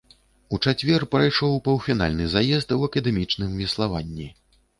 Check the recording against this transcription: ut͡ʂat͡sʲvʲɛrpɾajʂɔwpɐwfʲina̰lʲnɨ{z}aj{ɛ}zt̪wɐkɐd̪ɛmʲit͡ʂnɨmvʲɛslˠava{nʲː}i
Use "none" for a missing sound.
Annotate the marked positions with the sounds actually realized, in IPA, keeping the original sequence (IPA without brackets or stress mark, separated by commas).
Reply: z, ɛ, nʲː